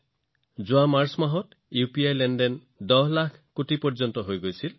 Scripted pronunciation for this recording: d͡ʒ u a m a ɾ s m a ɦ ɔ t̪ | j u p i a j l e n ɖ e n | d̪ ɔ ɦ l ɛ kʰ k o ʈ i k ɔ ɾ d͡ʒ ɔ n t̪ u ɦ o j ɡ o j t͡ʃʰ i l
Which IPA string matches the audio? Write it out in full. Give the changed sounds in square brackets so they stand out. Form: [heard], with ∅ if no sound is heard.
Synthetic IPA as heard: d͡ʒ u a m a ɾ s m a ɦ ɔ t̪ | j u p i a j l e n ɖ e n | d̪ ɔ ɦ l [a] kʰ k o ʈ i [p] ɔ ɾ d͡ʒ ɔ n t̪ [ɔ] ɦ o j ɡ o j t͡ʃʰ i l